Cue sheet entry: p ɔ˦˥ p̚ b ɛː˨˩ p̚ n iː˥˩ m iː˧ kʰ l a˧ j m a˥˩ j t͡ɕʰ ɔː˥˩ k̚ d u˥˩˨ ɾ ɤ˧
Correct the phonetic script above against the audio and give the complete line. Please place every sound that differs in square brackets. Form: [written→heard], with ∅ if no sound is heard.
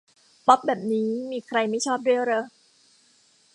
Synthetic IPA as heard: p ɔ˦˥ p̚ b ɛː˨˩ p̚ n [iː˥˩→iː˦˥] m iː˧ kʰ [l→ɾ] a˧ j m a˥˩ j t͡ɕʰ ɔː˥˩ [k̚→p̚] d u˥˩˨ ɾ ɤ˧